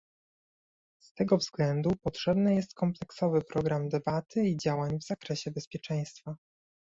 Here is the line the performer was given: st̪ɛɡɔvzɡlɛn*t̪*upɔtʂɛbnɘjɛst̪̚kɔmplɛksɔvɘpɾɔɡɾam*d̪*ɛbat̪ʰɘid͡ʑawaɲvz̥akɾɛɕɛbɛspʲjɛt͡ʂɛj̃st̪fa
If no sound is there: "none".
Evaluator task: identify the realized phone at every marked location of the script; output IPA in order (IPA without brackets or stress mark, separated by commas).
d̪, d̪